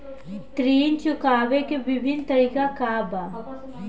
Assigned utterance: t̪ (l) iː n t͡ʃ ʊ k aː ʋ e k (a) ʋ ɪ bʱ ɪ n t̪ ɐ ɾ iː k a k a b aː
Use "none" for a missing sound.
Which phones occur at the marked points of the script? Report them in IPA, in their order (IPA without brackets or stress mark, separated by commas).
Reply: ɾ, e